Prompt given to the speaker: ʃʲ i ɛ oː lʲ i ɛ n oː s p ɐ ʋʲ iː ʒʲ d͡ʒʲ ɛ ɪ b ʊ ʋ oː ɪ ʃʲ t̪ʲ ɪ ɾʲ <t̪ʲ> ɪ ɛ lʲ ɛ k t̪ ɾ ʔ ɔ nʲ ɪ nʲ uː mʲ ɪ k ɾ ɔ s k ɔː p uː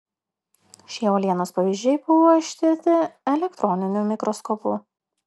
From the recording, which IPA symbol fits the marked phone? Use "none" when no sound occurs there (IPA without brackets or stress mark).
t̪ʲ